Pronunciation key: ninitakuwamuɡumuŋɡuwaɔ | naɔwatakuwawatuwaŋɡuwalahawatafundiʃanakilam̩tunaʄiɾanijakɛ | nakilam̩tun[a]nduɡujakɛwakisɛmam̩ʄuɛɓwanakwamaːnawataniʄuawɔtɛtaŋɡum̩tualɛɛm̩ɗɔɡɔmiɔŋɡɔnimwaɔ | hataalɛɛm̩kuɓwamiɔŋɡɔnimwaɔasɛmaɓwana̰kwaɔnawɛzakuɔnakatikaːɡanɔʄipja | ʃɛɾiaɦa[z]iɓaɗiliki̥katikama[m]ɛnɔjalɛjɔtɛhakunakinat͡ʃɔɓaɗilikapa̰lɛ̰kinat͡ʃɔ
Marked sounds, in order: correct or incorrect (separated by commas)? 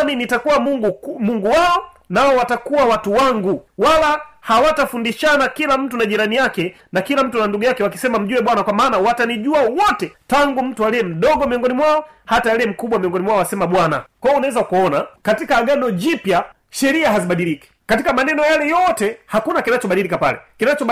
correct, correct, incorrect